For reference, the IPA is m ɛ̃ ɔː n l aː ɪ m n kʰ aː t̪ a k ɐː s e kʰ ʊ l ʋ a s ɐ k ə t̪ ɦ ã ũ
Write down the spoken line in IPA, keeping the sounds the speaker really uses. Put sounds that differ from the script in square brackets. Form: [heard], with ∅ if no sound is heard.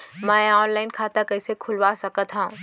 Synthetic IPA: m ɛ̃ ɔː n l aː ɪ [∅] n kʰ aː t̪ a k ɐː s e kʰ ʊ l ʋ a s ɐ k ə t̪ ɦ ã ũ